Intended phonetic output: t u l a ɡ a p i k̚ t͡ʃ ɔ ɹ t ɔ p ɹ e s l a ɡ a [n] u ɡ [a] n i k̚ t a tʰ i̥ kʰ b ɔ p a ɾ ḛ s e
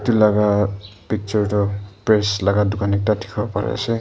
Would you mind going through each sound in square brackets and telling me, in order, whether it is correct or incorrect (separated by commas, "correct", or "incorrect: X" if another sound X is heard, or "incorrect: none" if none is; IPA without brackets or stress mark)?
incorrect: d, correct